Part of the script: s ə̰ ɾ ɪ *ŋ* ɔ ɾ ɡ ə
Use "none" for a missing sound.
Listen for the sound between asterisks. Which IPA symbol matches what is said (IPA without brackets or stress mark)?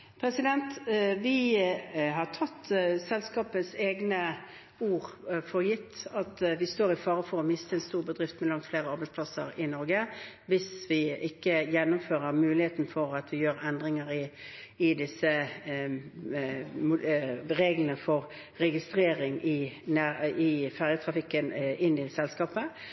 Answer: n